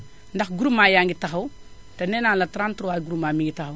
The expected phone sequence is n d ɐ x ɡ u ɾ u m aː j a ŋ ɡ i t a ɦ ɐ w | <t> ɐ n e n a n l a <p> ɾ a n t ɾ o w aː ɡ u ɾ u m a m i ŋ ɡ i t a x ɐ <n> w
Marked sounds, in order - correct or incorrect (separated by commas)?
correct, incorrect, incorrect